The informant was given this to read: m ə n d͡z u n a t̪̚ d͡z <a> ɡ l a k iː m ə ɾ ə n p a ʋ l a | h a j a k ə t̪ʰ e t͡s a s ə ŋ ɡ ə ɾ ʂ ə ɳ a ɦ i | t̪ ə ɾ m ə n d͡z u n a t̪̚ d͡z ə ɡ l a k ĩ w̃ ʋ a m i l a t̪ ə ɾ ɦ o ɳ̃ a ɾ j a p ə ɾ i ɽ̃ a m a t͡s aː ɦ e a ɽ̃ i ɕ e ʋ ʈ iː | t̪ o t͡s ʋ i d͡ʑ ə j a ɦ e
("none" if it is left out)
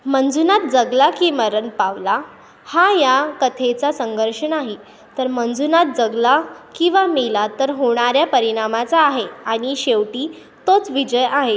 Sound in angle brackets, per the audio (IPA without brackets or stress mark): ə